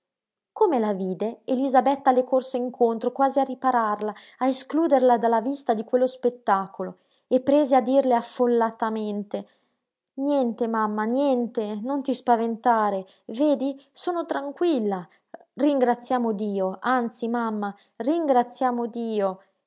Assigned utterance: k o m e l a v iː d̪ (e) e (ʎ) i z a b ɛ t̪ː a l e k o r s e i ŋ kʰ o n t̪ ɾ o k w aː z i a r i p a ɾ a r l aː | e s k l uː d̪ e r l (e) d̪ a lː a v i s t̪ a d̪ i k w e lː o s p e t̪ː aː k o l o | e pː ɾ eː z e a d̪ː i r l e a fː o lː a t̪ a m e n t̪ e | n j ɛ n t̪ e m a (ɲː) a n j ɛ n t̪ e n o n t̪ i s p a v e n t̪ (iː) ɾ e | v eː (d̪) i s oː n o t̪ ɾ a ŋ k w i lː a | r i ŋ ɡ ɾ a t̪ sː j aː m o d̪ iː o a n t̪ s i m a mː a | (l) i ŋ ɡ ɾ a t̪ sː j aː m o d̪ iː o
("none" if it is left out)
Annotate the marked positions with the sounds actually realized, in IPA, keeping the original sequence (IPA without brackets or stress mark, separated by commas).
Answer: e, l, a, mː, aː, d̪, r